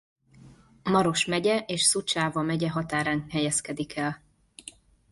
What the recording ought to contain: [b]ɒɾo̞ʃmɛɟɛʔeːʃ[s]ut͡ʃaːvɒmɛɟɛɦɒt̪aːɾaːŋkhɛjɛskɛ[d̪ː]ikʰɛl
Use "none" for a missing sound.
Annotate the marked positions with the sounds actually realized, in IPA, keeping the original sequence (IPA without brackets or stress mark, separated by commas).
m, s, d̪